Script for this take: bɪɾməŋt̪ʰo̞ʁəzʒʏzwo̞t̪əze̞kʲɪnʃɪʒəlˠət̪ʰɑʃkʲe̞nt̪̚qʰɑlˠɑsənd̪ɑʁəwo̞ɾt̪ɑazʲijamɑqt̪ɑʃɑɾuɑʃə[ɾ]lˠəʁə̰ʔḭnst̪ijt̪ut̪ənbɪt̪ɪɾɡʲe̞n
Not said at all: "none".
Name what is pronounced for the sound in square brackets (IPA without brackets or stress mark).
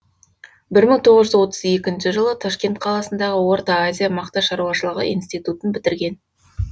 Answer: none